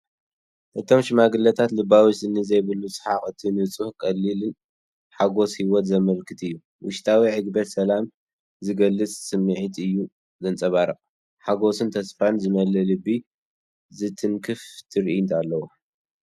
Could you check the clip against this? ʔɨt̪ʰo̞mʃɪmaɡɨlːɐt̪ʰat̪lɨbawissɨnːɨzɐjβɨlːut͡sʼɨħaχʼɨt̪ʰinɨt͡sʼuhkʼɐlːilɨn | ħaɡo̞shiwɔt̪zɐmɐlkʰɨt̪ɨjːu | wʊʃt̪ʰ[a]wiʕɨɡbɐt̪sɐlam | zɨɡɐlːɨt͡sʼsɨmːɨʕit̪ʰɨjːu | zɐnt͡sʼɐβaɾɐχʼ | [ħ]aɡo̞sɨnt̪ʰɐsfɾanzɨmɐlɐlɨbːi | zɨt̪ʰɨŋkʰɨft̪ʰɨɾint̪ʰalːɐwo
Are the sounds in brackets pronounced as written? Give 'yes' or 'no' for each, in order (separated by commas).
yes, yes